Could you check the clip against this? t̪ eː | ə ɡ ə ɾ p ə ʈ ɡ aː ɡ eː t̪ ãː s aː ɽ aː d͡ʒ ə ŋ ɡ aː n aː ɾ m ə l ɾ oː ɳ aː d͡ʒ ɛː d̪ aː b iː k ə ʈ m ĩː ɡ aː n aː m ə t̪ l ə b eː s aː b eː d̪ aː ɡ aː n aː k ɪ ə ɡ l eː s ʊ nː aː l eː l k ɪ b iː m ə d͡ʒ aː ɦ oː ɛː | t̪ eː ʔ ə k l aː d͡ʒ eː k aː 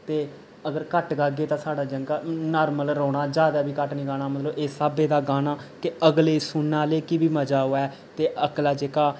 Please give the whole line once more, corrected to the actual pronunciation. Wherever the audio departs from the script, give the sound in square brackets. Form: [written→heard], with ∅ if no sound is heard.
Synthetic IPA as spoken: t̪ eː | ə ɡ ə ɾ [p→k] ə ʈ ɡ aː ɡ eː t̪ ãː s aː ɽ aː d͡ʒ ə ŋ ɡ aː n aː ɾ m ə l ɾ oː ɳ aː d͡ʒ [ɛː→aː] d̪ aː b iː k ə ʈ [m→n] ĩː ɡ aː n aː m ə t̪ l ə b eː s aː b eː d̪ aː ɡ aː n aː k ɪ ə ɡ l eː s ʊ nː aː l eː [l→∅] k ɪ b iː m ə d͡ʒ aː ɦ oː ɛː | t̪ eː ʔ ə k l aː d͡ʒ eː k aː